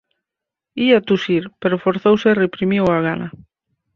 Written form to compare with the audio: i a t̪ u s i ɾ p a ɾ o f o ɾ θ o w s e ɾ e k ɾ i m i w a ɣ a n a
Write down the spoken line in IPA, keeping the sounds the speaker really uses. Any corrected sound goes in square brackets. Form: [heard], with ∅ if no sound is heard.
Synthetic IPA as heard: i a t̪ u s i ɾ p [e] ɾ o f o ɾ θ o w s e [r] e [p] ɾ i m i w a ɣ a n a